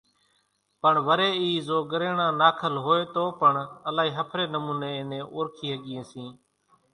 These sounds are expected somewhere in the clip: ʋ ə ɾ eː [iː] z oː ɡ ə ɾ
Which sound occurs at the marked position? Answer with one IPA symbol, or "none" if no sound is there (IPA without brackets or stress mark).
iː